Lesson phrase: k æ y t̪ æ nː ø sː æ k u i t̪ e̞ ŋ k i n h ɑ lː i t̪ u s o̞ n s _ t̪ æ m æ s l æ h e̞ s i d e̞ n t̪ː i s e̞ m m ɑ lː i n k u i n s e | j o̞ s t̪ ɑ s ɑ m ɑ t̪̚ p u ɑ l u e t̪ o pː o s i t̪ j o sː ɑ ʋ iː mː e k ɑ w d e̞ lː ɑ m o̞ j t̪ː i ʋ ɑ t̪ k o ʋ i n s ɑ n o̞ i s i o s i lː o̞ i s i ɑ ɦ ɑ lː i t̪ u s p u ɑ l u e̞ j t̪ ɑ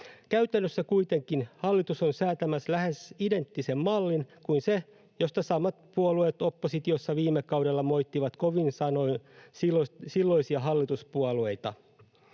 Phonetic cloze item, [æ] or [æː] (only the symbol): æː